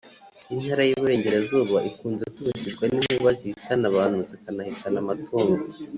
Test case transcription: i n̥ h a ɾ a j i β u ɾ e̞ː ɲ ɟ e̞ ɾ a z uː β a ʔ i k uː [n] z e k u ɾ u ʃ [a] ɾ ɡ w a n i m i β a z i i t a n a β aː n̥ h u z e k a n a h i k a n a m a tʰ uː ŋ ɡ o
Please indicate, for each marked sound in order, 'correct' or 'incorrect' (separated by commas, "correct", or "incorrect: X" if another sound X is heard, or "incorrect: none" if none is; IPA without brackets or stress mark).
correct, incorrect: i